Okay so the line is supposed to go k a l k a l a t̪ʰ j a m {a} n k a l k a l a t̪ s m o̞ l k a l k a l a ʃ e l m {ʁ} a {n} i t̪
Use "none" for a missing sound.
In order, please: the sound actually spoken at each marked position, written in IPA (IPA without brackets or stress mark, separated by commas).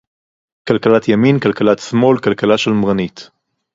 i, ʁ, n